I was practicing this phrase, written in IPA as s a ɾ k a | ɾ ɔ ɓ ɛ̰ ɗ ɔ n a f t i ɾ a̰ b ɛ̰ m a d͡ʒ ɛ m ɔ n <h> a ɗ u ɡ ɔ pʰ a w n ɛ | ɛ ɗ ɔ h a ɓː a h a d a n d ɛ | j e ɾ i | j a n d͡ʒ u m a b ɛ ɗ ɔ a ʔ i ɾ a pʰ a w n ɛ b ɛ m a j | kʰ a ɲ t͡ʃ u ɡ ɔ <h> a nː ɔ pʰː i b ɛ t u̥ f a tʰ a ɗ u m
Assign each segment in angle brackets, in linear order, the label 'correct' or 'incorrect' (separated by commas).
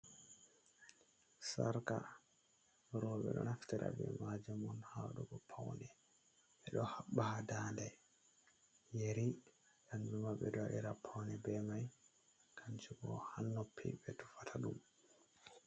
correct, correct